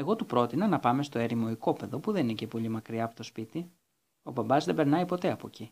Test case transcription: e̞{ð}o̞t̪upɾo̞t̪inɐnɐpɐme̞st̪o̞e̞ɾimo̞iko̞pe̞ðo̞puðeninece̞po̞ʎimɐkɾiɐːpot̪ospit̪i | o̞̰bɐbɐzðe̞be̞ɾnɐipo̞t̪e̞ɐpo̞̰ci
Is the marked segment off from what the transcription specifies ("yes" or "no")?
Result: yes